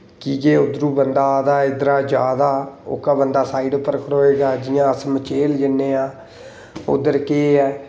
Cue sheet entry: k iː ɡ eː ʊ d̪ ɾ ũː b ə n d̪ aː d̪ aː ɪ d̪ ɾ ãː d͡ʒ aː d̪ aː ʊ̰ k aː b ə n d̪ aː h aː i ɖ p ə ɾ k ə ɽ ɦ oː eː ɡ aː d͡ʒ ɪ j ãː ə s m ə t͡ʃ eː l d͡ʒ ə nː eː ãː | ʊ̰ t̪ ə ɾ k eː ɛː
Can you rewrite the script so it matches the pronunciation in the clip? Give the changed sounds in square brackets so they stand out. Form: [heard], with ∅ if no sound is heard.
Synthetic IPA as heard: k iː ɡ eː ʊ d̪ ɾ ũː b ə n d̪ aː d̪ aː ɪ d̪ ɾ [aː] d͡ʒ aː d̪ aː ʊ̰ k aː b ə n d̪ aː [s] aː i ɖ p ə ɾ k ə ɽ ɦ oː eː ɡ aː d͡ʒ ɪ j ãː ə s m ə t͡ʃ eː l d͡ʒ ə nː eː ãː | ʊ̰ [d̪] ə ɾ k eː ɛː